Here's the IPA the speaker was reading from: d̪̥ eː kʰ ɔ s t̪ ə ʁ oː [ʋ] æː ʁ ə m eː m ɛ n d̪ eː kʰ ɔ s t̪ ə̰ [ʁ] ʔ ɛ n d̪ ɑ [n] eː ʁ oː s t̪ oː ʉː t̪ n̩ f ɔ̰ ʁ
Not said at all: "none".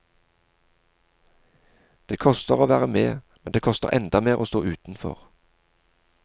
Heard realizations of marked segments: ʋ, ʁ, m

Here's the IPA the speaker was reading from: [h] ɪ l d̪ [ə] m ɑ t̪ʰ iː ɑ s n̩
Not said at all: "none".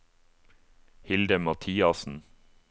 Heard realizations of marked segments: h, ə

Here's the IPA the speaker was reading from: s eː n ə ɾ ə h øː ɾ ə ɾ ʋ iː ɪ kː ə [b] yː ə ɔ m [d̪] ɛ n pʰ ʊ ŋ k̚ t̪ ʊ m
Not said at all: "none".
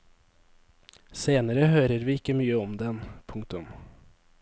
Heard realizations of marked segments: m, d̪

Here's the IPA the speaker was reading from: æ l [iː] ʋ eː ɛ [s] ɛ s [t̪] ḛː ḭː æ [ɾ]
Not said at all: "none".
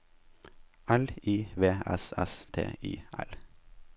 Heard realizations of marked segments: iː, s, t̪ʰ, l

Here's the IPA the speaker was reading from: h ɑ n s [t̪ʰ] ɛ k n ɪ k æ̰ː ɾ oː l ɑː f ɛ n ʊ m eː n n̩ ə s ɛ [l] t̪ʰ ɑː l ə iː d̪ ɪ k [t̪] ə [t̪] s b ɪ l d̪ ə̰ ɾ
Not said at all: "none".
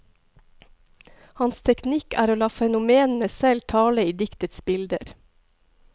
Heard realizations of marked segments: t̪ʰ, l, t̪, t̪

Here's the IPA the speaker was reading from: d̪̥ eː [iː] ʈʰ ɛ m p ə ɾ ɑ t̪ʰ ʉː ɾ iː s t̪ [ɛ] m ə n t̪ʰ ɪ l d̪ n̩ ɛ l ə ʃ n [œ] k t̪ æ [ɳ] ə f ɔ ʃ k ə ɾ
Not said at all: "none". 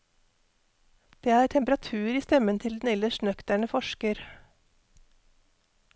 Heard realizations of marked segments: æː, ɛ, œ, ɳ

